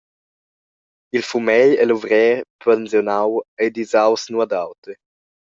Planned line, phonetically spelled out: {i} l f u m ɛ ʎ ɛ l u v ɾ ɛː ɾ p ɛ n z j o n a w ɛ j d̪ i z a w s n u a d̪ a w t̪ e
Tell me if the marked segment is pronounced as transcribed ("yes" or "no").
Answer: yes